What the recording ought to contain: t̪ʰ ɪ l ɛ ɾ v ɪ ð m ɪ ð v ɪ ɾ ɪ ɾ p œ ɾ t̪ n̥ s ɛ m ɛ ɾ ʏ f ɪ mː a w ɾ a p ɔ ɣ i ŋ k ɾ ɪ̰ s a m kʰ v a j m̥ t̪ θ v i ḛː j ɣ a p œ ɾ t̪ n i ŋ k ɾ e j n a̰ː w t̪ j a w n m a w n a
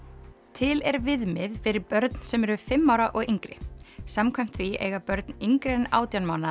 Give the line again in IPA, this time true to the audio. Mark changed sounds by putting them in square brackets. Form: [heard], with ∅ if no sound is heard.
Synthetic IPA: t̪ʰ ɪ l ɛ ɾ v ɪ ð m ɪ ð [f] ɪ ɾ ɪ ɾ p œ ɾ t̪ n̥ s ɛ m ɛ ɾ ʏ f ɪ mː a w ɾ a [ʔ] ɔ ɣ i ŋ k ɾ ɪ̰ s a m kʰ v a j m̥ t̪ θ v i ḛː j ɣ a p œ ɾ t̪ n i ŋ k ɾ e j n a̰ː w t̪ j a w n m a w n a